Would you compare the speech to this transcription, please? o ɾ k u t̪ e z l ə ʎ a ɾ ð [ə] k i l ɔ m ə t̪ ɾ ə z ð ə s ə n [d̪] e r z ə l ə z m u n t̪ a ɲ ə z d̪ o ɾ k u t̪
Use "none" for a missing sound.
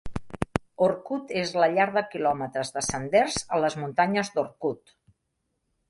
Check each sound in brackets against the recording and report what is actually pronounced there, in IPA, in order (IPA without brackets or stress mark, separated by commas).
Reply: ə, d̪